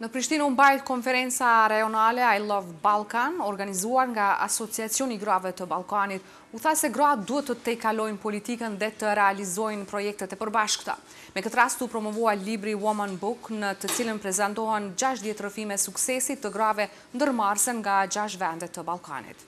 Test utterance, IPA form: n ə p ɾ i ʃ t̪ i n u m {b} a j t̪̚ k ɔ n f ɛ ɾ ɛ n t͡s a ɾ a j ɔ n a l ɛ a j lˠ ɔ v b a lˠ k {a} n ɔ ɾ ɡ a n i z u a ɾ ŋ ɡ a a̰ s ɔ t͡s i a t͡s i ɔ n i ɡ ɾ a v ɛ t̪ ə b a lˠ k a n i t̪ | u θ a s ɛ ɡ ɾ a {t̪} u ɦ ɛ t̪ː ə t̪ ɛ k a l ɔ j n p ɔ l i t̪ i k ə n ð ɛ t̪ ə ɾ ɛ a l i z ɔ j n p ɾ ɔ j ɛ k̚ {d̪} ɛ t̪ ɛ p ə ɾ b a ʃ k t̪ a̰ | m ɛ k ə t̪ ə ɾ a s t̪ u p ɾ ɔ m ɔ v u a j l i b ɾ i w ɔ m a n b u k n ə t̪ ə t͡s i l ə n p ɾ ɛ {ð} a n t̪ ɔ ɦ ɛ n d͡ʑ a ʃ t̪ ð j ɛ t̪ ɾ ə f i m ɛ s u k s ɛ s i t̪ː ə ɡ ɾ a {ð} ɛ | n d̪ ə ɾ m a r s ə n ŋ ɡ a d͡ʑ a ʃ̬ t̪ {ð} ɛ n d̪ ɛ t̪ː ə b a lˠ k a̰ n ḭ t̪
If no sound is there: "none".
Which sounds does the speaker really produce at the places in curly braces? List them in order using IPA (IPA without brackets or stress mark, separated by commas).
b, a, d̪, t̪, z, v, v